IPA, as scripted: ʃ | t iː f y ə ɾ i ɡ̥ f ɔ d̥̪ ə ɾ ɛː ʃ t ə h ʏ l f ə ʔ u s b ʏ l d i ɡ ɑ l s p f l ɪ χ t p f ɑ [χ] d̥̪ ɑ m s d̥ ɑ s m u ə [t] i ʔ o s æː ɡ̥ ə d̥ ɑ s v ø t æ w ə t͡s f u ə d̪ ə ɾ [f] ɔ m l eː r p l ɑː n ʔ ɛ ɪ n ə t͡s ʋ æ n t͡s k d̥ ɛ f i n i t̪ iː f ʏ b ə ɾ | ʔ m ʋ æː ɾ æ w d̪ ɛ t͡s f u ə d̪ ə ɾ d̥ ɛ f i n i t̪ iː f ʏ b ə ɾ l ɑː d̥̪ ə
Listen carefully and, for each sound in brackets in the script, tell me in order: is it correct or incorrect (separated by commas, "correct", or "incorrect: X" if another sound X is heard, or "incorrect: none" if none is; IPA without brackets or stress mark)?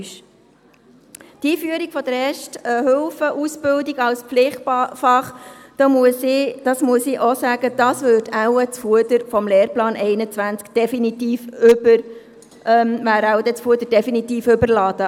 correct, incorrect: s, correct